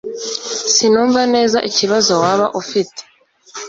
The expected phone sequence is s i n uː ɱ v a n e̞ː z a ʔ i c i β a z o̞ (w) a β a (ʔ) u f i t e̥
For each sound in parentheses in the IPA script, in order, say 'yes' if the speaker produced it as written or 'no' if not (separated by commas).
yes, yes